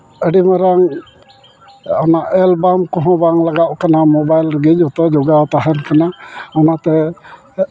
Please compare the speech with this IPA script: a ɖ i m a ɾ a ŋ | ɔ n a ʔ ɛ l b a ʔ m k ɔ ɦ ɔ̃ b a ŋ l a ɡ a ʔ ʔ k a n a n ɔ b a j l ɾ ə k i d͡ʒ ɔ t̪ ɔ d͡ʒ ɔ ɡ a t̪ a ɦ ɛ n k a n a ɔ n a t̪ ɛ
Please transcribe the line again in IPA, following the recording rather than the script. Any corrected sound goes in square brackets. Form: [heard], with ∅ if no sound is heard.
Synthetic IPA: [ə] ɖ i m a ɾ a ŋ | ɔ n a ʔ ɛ l b a [∅] m k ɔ ɦ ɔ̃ b a ŋ l a ɡ a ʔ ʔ k a n a [m] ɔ b a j l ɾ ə [ɡ] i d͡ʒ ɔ t̪ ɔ d͡ʒ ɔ ɡ a t̪ a ɦ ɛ n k a n a ɔ n a t̪ ɛ